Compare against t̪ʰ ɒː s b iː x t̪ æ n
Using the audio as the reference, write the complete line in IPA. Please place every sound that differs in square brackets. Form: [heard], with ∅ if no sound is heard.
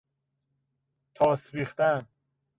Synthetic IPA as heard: t̪ʰ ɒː s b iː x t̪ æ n